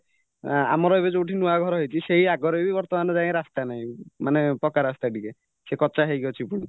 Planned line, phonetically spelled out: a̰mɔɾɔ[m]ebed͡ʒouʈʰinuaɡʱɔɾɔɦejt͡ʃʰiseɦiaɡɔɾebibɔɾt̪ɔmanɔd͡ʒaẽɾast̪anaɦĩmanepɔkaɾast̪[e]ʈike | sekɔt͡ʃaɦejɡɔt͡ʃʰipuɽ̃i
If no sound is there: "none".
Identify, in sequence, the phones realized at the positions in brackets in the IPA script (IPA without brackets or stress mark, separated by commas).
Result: none, a